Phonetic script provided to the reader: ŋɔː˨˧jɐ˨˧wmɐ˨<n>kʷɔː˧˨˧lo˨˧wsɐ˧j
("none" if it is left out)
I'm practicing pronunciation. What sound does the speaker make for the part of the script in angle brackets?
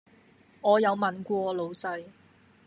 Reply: n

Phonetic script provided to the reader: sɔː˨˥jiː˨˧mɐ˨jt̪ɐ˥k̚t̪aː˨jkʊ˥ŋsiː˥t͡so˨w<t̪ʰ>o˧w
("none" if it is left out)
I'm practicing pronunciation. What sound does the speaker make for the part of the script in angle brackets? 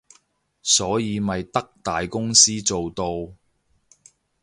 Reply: t̪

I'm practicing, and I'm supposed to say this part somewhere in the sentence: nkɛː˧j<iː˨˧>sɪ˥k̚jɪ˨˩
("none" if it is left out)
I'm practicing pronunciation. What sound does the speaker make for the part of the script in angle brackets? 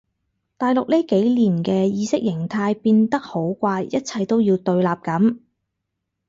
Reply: iː˨˧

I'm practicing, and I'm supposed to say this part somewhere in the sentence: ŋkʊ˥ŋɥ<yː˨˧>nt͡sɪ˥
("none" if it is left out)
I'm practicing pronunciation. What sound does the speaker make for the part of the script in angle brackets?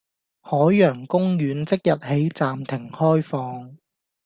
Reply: yː˨˧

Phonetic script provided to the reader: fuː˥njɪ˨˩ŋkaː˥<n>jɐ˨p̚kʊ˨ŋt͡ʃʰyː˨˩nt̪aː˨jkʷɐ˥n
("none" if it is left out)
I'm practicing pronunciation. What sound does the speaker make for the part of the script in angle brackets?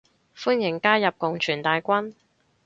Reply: none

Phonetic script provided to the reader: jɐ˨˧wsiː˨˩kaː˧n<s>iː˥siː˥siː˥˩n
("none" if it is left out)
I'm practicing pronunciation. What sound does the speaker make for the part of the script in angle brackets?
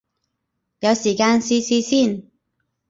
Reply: s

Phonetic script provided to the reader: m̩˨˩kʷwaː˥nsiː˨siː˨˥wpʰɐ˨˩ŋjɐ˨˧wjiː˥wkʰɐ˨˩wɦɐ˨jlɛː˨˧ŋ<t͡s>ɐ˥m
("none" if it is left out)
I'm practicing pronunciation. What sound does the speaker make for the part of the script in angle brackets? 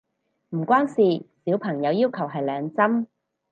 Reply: t͡s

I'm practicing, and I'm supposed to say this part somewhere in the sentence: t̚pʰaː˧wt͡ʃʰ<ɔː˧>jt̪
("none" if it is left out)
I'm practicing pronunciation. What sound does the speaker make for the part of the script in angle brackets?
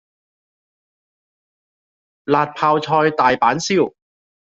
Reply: ɔː˧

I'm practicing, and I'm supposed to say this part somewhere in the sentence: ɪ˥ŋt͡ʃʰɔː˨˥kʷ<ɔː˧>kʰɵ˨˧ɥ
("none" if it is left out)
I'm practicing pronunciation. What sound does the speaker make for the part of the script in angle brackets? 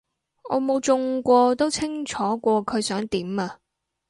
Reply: ɔː˧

